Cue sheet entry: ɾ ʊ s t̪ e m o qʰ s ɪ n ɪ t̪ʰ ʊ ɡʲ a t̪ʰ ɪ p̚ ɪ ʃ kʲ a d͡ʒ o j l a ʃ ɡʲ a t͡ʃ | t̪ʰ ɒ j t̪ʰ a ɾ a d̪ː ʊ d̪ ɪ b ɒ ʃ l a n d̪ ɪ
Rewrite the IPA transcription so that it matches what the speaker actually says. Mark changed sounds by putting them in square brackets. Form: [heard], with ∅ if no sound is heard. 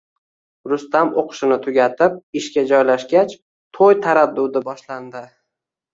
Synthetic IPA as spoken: ɾ ʊ s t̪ [a] m o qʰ [ʃ] ɪ n ɪ t̪ʰ ʊ ɡʲ a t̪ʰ ɪ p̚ ɪ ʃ kʲ a d͡ʒ [ɒ] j l a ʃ ɡʲ a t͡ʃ | t̪ʰ [o] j t̪ʰ a ɾ a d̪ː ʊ d̪ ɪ b ɒ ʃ l a n d̪ ɪ